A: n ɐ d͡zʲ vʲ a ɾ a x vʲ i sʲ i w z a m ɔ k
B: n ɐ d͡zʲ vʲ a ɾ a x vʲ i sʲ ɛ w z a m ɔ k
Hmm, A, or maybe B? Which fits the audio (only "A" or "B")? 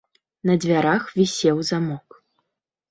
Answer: B